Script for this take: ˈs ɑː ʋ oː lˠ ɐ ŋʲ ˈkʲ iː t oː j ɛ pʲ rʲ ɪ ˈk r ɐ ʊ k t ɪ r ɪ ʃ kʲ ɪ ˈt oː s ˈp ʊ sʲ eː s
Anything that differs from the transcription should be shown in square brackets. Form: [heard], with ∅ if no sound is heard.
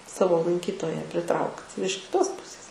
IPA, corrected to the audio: ˈs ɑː ʋ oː lˠ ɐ ŋʲ ˈkʲ iː t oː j ɛ pʲ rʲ ɪ [ˈt] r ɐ ʊ k t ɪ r ɪ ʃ kʲ ɪ ˈt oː s ˈp ʊ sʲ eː s